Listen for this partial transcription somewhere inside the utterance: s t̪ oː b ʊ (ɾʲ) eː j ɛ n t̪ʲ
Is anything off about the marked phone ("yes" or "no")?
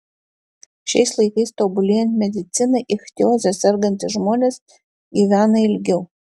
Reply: yes